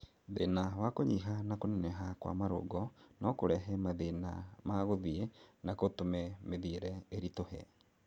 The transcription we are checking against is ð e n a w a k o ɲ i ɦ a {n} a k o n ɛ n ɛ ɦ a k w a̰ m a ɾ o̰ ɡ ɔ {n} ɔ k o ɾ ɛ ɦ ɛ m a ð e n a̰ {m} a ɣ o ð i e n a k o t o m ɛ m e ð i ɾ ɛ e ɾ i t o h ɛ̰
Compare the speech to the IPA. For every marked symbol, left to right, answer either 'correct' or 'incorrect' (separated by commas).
correct, correct, correct